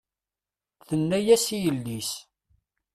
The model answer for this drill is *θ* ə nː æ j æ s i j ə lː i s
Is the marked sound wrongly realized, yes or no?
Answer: no